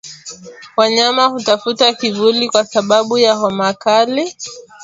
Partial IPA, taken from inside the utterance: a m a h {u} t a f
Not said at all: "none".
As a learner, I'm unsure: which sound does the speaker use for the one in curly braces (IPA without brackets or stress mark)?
u